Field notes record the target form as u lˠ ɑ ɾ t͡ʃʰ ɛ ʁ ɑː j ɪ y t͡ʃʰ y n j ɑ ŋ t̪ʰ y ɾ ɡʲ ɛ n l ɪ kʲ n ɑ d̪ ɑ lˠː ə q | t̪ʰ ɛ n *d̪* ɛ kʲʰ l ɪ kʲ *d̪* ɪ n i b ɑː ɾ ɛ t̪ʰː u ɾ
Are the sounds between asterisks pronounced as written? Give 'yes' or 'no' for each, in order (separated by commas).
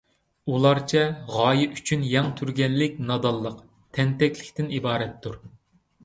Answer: no, no